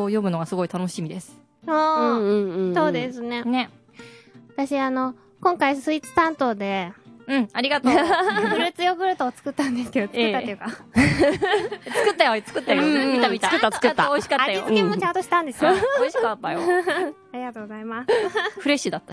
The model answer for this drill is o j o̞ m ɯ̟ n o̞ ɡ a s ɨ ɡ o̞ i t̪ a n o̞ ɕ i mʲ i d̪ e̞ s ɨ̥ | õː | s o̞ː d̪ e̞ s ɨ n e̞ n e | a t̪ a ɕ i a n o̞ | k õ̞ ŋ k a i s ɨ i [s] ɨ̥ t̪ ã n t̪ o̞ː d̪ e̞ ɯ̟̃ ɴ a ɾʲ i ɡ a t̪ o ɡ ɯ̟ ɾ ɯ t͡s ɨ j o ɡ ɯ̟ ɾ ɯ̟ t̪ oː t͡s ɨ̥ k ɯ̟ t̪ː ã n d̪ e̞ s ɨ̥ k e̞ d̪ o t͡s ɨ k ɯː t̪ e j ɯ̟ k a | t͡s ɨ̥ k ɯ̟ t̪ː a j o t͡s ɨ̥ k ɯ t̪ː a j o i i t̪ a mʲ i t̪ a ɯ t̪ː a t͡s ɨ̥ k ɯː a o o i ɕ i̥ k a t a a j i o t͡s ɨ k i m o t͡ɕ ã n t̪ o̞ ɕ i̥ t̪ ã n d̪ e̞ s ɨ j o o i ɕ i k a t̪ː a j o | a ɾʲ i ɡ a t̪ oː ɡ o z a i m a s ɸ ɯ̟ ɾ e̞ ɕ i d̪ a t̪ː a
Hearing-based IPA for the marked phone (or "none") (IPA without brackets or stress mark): t͡s